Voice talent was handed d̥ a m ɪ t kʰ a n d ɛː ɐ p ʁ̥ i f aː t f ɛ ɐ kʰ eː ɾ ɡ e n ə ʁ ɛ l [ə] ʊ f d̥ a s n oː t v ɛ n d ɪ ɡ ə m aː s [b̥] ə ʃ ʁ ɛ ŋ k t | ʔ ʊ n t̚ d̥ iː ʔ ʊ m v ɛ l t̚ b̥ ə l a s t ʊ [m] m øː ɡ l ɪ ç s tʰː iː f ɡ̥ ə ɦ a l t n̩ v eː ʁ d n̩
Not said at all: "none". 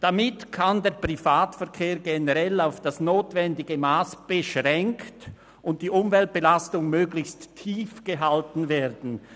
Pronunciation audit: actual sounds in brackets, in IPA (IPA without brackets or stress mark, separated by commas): a, b̥, ŋ